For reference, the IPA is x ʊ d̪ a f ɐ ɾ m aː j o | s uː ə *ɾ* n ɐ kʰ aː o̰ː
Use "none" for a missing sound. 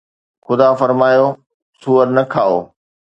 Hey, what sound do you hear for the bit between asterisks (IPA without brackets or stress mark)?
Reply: ɾ